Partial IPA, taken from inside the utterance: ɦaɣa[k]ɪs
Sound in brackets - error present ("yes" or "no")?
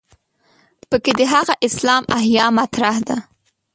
yes